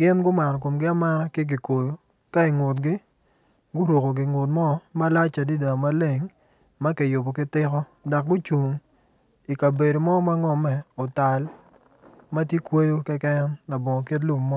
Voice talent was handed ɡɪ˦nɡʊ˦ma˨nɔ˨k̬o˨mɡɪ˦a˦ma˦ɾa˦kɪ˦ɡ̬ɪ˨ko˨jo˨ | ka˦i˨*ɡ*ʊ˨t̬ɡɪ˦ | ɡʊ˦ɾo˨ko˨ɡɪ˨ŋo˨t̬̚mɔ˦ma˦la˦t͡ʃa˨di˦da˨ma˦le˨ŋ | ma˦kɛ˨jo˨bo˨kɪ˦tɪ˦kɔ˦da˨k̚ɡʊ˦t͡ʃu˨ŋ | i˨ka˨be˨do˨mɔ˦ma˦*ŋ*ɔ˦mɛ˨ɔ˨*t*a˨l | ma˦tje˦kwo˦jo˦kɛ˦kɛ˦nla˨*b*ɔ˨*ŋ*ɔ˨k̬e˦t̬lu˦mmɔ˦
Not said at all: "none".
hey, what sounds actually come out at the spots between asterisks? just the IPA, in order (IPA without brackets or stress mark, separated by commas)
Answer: ŋ, ŋ, t, b, ŋ